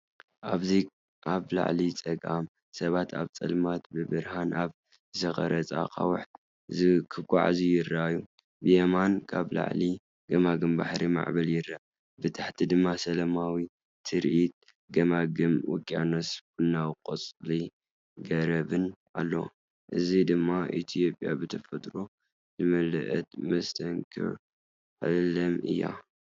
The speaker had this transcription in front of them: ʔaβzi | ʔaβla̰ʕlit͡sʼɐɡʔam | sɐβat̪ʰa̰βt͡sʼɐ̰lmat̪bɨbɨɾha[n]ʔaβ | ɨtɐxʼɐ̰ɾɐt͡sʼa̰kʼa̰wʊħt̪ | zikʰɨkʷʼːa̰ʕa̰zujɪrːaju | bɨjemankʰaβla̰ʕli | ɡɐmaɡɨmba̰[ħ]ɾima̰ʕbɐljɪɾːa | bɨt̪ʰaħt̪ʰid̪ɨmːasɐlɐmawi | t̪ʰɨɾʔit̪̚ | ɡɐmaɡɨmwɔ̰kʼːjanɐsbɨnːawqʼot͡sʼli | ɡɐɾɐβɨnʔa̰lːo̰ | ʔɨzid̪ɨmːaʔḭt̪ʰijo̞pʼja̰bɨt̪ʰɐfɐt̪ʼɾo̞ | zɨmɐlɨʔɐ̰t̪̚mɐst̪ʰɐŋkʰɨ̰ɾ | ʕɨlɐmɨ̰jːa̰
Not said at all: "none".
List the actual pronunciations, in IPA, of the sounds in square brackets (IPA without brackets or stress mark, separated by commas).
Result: n, ħ